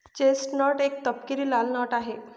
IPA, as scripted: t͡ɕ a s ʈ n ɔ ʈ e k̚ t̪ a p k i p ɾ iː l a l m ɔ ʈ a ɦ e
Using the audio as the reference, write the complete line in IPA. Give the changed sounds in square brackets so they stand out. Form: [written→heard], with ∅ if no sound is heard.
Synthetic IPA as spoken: t͡ɕ [a→e] s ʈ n ɔ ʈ e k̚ t̪ [a→ə] p k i [p→∅] ɾ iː l a l [m→n] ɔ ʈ a ɦ e